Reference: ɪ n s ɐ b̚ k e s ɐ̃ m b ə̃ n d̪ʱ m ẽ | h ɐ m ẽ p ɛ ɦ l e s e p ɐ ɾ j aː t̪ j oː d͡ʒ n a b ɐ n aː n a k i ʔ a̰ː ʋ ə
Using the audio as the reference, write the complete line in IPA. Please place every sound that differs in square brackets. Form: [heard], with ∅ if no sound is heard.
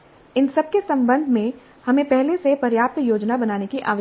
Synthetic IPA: ɪ n s ɐ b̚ k e s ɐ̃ m b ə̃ n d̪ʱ m ẽ | h ɐ m ẽ p ɛ ɦ l e s e p ɐ ɾ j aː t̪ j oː d͡ʒ n a b ɐ n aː n [e] k i ʔ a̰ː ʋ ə